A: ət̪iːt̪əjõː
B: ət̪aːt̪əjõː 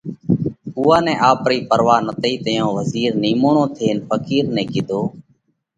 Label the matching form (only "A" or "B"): A